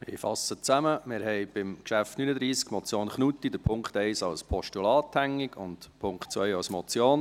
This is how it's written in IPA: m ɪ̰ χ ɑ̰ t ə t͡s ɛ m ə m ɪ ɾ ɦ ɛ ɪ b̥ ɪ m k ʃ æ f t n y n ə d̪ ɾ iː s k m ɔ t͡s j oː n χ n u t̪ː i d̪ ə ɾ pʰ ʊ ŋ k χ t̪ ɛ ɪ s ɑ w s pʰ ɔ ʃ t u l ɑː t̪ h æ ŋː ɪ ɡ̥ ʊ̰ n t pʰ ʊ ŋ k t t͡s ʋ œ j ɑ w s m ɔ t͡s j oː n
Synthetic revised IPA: m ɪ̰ f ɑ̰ s ə t͡s æ m ə m ɪ ɾ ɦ ɛ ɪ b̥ ɪ m k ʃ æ f t n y n ə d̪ ɾ iː s k m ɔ t͡s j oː n χ n u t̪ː i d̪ ə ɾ pʰ ʊ ŋ k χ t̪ ɛ ɪ s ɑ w s pʰ ɔ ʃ t u l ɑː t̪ h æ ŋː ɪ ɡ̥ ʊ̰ n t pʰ ʊ ŋ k t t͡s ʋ œ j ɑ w s m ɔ t͡s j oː n